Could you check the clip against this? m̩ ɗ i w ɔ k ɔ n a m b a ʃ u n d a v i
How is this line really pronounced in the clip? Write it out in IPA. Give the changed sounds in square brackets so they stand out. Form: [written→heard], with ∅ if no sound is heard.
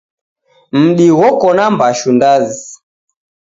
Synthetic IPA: m̩ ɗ i w ɔ k ɔ n a m b a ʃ u n d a [v→z] i